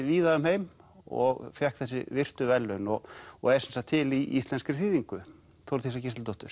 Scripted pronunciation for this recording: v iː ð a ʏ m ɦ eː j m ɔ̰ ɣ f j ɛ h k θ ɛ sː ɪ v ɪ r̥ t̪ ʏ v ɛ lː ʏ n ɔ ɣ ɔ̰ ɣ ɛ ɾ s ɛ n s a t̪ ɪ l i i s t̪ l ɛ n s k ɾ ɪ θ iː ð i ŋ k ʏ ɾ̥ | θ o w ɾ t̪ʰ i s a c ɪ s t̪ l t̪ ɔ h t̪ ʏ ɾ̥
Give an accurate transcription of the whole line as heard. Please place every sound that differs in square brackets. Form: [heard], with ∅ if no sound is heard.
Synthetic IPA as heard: v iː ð a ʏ m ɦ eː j m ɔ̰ ɣ f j ɛ h k θ ɛ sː ɪ v ɪ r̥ t̪ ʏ v ɛ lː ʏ n ɔ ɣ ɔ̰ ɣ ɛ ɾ s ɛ n s a [t̪ʰ] ɪ l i i s t̪ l ɛ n s k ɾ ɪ θ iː ð i ŋ k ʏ [∅] | θ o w ɾ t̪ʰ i s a c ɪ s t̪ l t̪ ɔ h t̪ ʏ ɾ̥

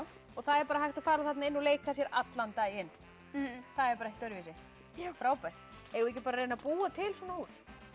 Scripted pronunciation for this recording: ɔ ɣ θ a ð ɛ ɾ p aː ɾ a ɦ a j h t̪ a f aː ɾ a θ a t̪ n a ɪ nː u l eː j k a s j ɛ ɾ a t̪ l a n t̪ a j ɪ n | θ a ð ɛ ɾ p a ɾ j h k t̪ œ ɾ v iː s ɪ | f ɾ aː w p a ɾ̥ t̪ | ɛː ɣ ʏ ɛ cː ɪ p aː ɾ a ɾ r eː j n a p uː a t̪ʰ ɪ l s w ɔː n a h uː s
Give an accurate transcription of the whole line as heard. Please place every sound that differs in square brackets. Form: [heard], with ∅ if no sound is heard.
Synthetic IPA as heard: ɔ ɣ θ a ð ɛ ɾ p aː ɾ a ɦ a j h t̪ a f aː ɾ a θ a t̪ n a ɪ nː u l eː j k a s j ɛ ɾ a t̪ l a n t̪ a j ɪ n | θ a ð ɛ ɾ p a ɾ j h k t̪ œ ɾ v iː s ɪ | f ɾ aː w p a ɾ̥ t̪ | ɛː ɣ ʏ ɛ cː ɪ p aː ɾ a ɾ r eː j n a p uː a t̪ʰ ɪ l s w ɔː n a h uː s

